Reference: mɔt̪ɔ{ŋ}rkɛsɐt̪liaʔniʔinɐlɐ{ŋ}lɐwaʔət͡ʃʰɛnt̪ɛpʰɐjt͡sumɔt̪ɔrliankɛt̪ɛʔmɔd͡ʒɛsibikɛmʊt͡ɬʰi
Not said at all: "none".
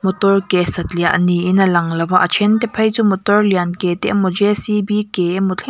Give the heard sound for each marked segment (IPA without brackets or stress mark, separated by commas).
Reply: none, ŋ